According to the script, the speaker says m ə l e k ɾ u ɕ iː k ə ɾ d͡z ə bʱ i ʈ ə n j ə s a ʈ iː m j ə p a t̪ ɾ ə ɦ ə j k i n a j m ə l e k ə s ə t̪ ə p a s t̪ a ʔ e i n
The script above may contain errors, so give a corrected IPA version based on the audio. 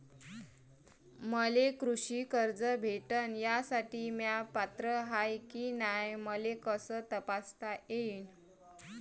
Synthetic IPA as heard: m ə l e k ɾ u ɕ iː k ə ɾ d͡z ə bʱ e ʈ ə n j a s a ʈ iː m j a p a t̪ ɾ ə ɦ a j k i n a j m ə l e k ə s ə t̪ ə p a s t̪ a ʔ e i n